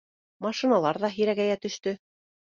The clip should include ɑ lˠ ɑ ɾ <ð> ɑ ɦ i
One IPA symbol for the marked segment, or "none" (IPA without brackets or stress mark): ð